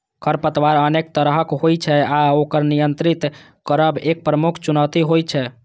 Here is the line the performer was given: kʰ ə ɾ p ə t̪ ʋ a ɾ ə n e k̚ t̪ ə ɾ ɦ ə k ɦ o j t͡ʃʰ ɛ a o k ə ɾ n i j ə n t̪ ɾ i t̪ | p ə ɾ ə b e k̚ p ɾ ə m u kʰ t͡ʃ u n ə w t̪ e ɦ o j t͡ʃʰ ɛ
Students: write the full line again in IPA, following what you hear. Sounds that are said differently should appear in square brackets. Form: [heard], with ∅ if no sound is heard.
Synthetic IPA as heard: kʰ ə ɾ p ə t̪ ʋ a ɾ ə n e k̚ t̪ ə ɾ ɦ ə k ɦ o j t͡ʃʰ ɛ a o k ə ɾ n i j ə n t̪ ɾ i t̪ | [k] ə ɾ ə b e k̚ p ɾ ə m u kʰ t͡ʃ u n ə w t̪ [i] ɦ o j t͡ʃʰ ɛ